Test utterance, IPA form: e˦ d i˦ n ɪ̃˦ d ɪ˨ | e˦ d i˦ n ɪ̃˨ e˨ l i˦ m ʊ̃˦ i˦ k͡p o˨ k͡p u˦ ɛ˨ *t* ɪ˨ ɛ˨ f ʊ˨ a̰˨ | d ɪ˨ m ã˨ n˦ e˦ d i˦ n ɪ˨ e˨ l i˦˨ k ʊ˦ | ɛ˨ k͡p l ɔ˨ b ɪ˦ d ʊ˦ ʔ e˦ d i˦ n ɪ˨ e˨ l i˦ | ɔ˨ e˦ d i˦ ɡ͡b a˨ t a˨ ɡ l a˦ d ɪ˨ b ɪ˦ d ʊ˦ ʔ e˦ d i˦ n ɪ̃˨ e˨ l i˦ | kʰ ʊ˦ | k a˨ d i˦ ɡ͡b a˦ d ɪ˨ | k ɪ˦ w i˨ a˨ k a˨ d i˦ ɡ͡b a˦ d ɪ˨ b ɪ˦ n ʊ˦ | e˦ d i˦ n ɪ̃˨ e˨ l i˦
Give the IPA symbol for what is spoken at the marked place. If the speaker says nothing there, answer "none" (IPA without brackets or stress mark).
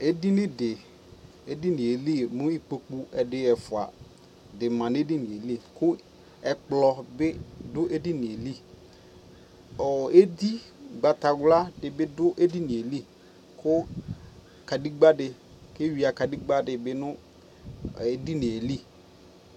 d